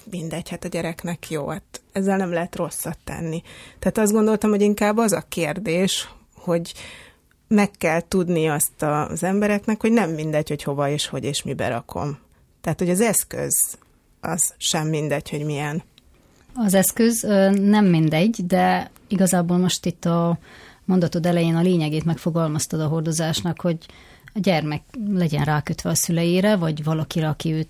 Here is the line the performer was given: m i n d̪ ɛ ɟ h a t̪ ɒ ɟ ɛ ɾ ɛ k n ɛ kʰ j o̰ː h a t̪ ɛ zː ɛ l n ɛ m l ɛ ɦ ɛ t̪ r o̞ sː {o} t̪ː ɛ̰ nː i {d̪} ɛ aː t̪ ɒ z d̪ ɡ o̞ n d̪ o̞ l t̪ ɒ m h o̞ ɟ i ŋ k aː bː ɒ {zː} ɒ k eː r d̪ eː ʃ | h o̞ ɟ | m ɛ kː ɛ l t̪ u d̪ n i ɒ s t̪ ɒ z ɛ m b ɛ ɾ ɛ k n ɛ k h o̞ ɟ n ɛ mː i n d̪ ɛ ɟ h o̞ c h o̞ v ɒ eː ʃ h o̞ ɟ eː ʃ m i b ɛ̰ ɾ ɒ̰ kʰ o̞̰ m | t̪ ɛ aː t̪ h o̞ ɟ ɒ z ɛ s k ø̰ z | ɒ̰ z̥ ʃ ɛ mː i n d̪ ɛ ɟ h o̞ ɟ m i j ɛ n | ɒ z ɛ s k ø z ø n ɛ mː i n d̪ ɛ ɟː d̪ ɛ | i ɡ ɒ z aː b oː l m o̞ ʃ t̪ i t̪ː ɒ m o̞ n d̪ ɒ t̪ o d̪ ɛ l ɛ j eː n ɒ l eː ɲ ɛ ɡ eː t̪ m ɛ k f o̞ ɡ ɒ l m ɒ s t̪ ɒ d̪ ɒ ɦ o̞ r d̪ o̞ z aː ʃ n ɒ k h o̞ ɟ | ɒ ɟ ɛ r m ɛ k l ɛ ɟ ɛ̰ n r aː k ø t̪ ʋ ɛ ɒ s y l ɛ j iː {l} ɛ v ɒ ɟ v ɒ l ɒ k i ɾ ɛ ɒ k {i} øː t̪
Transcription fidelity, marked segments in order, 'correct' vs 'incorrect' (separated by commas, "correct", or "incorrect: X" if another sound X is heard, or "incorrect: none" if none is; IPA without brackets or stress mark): incorrect: ɒ, incorrect: t̪, incorrect: z, incorrect: ɾ, correct